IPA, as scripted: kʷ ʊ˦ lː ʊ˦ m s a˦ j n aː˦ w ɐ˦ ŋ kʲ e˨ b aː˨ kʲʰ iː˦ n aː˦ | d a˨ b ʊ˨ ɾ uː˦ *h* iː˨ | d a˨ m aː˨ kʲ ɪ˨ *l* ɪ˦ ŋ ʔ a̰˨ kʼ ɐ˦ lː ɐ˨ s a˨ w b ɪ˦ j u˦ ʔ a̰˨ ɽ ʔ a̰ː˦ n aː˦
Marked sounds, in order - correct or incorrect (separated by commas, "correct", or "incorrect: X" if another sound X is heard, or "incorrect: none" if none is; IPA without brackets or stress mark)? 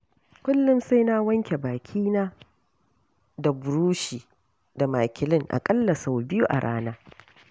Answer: incorrect: ʃ, correct